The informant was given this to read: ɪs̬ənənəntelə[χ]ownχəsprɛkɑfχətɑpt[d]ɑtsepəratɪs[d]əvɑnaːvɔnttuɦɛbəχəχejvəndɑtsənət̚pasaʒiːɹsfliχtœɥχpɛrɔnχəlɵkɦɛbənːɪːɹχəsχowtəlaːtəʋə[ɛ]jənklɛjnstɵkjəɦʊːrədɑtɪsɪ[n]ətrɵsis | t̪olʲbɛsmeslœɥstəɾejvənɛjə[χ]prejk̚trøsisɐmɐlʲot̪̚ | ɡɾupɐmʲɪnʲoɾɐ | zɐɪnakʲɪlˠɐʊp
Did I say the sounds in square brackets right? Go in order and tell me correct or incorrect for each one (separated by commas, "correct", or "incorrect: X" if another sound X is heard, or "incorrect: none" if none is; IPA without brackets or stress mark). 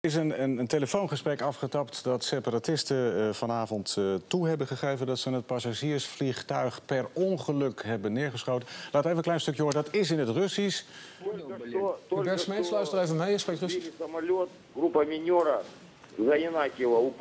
incorrect: f, correct, incorrect: t, incorrect: e, correct, incorrect: s